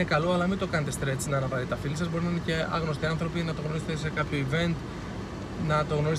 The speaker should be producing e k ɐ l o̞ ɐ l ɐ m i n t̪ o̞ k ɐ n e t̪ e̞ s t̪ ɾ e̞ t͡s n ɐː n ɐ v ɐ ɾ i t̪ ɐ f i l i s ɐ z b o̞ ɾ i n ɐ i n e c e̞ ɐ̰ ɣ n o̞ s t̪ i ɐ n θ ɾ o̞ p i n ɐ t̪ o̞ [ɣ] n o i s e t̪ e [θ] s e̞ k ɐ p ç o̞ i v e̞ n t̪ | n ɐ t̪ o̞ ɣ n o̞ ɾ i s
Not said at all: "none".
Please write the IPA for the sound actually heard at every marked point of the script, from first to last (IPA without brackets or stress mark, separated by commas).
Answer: ɣ, none